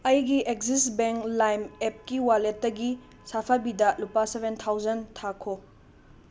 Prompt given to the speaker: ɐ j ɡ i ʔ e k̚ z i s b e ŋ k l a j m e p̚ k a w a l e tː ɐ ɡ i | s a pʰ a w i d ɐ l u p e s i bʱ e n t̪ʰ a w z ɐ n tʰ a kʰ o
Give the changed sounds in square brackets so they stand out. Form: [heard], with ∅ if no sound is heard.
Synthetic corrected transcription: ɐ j ɡ i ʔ e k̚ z i s b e ŋ k l a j m e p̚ k [i] w a l e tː ɐ ɡ i | s a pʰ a [b] i d ɐ l u p [a] s [e] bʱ e n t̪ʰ a w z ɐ n tʰ a kʰ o